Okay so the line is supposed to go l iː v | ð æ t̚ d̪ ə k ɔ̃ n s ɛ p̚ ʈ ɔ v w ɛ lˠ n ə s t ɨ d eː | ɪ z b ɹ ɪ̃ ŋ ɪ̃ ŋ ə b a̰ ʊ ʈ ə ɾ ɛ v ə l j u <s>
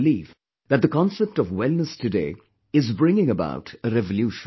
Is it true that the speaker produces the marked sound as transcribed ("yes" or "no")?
no